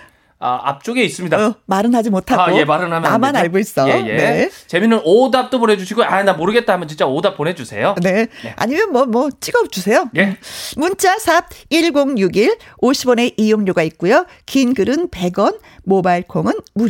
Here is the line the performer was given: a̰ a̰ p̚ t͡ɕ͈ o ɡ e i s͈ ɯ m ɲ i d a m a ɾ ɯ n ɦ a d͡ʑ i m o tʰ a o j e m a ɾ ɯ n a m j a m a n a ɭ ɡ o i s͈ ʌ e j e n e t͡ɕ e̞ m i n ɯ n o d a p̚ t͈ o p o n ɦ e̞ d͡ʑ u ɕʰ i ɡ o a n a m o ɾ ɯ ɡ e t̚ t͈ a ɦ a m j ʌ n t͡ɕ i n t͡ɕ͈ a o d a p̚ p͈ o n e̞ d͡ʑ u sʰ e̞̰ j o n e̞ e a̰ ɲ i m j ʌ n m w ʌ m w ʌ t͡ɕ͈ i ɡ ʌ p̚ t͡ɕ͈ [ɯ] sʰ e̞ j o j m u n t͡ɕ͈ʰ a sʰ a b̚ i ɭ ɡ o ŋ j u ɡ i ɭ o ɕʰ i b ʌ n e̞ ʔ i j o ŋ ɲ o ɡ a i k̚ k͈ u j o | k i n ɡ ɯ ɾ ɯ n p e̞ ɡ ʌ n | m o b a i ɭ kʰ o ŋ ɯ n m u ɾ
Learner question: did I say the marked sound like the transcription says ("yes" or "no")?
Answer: no